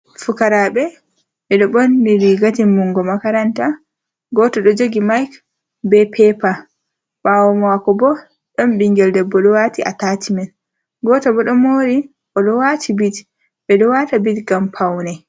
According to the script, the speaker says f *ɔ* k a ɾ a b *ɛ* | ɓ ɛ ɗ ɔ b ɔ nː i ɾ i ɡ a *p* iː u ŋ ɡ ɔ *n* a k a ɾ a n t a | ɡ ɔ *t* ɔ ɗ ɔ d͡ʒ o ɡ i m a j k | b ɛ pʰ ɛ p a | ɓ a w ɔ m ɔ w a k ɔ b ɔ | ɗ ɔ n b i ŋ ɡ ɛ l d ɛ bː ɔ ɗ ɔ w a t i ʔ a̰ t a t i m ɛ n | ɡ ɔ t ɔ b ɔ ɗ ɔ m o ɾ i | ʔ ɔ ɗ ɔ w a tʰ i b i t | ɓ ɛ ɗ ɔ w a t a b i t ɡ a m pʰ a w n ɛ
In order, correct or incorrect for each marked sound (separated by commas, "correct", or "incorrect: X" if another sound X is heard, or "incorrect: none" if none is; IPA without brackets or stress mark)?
incorrect: u, correct, incorrect: t, incorrect: m, correct